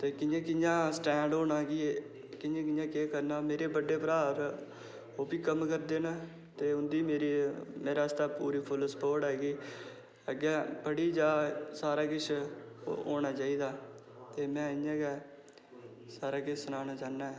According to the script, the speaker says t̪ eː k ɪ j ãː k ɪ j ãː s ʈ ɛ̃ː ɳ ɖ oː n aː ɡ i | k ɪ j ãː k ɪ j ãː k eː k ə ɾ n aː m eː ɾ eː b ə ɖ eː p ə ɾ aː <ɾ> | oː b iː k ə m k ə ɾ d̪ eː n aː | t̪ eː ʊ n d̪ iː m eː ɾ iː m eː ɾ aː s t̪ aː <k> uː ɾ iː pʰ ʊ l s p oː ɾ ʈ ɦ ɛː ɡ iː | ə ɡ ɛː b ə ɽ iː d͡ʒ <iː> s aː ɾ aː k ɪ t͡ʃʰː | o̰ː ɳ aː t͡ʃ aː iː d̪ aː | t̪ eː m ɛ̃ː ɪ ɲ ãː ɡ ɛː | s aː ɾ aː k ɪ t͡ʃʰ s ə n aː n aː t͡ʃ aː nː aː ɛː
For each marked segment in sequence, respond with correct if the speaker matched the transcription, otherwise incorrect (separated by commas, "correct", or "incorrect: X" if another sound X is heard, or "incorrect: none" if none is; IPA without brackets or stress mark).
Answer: correct, incorrect: p, incorrect: aː